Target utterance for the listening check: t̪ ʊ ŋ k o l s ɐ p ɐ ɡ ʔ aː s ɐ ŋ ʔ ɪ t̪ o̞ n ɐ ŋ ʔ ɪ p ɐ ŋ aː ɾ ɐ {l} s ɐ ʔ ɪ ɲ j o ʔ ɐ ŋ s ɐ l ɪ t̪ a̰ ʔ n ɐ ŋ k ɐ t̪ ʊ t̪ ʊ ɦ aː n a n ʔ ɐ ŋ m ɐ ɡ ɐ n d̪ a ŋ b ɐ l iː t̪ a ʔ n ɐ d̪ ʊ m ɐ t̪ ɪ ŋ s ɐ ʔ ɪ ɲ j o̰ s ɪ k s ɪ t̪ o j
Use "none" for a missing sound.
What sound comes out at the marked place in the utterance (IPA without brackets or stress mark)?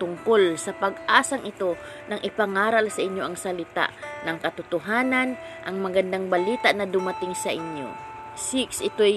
l